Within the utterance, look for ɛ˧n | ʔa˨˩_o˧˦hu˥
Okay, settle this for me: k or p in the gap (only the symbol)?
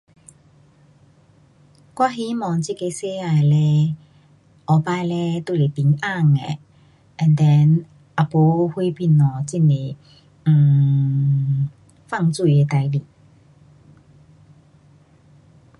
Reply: p